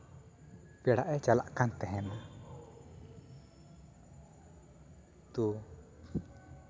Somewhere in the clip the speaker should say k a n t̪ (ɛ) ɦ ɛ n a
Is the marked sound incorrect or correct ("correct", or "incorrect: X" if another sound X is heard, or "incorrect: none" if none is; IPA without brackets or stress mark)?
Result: correct